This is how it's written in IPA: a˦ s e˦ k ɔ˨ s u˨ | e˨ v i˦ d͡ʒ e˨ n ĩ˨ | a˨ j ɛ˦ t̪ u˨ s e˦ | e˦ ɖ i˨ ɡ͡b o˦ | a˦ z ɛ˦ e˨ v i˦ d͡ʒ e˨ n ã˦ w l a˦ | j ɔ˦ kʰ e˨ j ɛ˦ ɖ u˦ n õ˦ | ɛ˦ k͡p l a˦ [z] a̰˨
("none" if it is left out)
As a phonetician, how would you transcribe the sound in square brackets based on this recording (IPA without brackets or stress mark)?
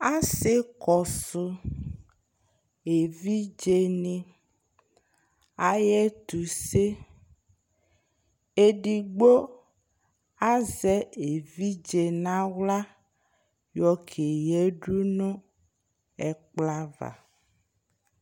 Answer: v